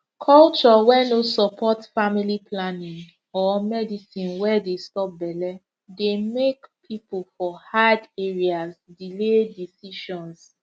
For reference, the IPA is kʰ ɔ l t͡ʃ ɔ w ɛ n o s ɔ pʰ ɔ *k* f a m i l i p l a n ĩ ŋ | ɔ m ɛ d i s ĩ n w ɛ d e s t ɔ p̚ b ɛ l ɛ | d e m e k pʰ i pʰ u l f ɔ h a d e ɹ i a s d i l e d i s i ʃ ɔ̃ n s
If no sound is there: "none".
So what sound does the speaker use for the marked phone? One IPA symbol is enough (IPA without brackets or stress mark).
t